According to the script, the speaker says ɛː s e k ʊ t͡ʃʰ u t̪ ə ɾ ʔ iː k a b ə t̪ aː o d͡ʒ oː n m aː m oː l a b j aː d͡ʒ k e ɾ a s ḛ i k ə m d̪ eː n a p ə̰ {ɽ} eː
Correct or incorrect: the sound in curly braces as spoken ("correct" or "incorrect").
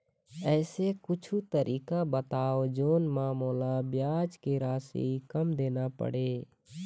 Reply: correct